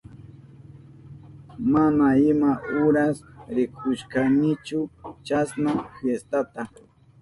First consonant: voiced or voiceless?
voiced